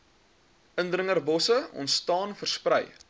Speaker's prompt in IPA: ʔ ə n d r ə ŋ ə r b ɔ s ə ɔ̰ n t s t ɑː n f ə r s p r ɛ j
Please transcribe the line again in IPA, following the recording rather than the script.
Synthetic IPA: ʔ ə n d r ə ŋ ə r b ɔ s ə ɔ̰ n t s t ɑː n f ə r s p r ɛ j